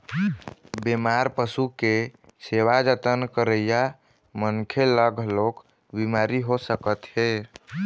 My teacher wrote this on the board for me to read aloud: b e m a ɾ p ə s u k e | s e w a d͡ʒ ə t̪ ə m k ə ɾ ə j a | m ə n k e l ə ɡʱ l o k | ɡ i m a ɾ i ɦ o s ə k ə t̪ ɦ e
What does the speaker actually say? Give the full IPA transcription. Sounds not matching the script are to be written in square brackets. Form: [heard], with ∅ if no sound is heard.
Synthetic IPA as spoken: b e m a ɾ p ə s u k e | s e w a d͡ʒ ə t̪ ə [n] k ə ɾ ə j a | m ə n [kʰ] e l ə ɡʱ l o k | [b] i m a ɾ i ɦ o s ə k ə t̪ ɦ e

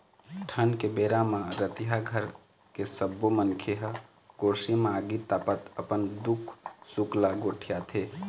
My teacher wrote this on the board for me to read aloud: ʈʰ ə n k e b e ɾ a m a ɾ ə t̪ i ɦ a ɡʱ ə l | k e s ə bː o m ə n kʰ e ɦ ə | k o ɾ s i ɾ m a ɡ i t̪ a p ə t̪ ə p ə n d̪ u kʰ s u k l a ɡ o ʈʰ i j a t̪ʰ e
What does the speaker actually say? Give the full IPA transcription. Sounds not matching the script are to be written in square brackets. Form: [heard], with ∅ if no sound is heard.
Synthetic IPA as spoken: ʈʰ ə n k e b e ɾ a m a ɾ ə t̪ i ɦ a ɡʱ ə [ɾ] | k e s ə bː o m ə n kʰ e ɦ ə | k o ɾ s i [∅] m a ɡ i t̪ a p ə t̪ ə p ə n d̪ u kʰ s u k l a ɡ o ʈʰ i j a t̪ʰ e

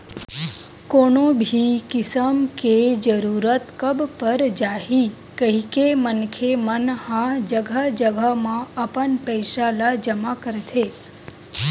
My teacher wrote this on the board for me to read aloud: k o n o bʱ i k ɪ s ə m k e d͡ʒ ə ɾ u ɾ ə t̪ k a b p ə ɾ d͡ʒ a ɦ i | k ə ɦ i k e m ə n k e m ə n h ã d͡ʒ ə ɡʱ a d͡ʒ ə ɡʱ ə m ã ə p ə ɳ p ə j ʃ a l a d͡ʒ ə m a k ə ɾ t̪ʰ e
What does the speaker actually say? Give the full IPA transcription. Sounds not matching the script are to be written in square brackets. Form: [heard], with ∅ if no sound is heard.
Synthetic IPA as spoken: k o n o bʱ i k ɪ s ə m k e d͡ʒ ə ɾ u ɾ ə t̪ k [ə] b p ə ɾ d͡ʒ a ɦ i | k ə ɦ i k e m ə n [kʰ] e m ə n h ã d͡ʒ ə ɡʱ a d͡ʒ ə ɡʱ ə m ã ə p ə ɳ p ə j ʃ a l a d͡ʒ ə m a k ə ɾ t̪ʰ e

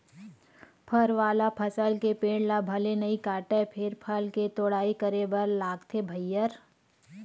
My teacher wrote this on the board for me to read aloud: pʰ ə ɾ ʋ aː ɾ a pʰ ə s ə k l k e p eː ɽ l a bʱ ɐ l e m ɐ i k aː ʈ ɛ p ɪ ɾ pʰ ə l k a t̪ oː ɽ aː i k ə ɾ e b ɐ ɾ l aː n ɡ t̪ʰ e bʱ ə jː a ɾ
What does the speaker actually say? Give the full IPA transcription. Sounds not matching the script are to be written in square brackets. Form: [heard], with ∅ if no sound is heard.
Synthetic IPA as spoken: pʰ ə ɾ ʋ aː [l] a pʰ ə s ə [∅] l k e p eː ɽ l a bʱ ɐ l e [n] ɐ i k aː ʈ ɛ [pʰ] ɪ ɾ pʰ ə l k [e] t̪ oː ɽ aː i k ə ɾ e b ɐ ɾ l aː [∅] ɡ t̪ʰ e bʱ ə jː [ə] ɾ

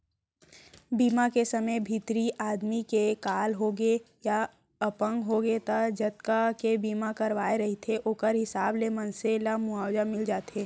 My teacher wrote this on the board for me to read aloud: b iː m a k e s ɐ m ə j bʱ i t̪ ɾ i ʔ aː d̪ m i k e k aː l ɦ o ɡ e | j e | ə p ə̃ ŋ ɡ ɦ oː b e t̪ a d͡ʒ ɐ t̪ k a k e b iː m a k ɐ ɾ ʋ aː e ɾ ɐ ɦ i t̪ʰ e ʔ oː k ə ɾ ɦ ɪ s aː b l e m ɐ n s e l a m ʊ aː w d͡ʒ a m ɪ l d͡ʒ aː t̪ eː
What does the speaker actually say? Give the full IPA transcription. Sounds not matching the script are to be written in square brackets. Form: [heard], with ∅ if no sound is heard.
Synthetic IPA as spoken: b iː m a k e s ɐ m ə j bʱ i t̪ ɾ i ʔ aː d̪ m i k e k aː l ɦ o ɡ e | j [a] | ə p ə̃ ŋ ɡ ɦ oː [ɡ] e t̪ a d͡ʒ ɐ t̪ k a k e b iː m a k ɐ ɾ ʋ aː e ɾ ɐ ɦ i t̪ʰ e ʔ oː k ə ɾ ɦ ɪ s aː b l e m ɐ n s e l a m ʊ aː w d͡ʒ a m ɪ l d͡ʒ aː t̪ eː

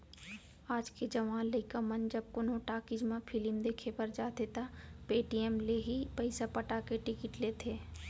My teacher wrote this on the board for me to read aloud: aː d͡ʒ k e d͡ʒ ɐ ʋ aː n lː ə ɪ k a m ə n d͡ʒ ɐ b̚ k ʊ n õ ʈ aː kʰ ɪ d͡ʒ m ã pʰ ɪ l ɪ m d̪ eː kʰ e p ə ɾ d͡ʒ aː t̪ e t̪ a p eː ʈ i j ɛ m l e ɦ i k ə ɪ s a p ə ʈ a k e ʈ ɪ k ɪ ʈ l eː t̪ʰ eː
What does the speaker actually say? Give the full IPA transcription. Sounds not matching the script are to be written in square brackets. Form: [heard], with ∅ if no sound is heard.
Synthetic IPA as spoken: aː d͡ʒ k e d͡ʒ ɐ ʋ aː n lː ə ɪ k a m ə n d͡ʒ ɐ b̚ k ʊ n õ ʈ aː [k] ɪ d͡ʒ m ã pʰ ɪ l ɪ m d̪ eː kʰ e p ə ɾ d͡ʒ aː t̪ e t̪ a p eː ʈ i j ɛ m l e ɦ i [p] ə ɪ s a p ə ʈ a k e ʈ ɪ k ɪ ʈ l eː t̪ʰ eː

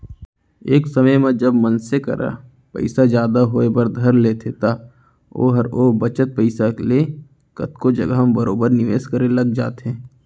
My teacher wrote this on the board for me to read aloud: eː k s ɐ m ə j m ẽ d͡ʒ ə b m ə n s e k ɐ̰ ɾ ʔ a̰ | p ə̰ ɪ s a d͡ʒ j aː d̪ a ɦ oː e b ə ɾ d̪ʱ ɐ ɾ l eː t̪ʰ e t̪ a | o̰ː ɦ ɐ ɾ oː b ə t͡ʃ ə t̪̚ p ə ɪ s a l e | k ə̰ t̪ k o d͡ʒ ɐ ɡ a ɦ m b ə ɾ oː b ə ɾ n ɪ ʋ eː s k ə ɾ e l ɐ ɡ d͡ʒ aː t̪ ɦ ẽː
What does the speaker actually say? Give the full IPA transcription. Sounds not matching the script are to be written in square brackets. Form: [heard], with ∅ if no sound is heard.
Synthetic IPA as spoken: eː k s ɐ m ə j m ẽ d͡ʒ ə b m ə n s e k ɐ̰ ɾ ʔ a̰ | p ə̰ ɪ s a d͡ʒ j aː d̪ a ɦ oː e b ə ɾ d̪ʱ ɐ ɾ l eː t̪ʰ e t̪ a | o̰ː ɦ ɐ ɾ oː b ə t͡ʃ ə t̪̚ p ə ɪ s a l e | k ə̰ t̪ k o d͡ʒ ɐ ɡ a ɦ m b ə ɾ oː b ə ɾ n ɪ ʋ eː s k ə ɾ e l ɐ ɡ d͡ʒ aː t̪ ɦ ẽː

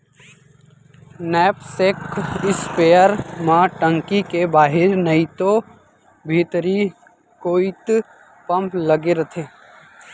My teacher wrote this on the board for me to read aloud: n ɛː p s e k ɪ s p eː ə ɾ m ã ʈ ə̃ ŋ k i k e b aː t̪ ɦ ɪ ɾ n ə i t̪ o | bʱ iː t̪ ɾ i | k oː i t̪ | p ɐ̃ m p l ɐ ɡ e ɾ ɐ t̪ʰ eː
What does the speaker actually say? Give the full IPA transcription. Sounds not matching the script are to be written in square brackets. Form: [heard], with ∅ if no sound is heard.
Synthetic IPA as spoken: n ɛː p s e k ɪ s p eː ə ɾ m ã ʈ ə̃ ŋ k i k e b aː [∅] ɦ ɪ ɾ n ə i t̪ o | bʱ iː t̪ ɾ i | k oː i t̪ | p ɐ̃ m p l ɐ ɡ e ɾ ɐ t̪ʰ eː

